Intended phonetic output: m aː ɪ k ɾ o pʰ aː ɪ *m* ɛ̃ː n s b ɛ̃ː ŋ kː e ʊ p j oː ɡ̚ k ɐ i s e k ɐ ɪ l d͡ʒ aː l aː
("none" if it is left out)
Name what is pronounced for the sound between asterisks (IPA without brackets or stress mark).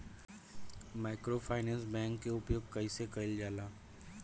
n